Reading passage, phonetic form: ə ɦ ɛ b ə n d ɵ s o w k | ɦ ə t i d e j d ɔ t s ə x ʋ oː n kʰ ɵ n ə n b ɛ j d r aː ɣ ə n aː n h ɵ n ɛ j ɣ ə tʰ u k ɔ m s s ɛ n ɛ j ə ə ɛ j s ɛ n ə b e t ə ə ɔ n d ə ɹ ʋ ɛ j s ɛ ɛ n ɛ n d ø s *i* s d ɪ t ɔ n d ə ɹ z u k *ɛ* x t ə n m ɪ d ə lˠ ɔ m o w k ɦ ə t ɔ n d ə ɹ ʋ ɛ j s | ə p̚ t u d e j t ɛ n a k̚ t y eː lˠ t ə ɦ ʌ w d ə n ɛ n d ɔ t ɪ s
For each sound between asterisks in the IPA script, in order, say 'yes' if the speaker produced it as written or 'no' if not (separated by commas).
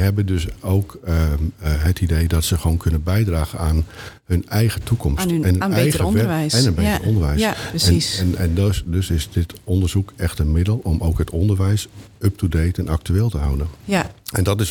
no, yes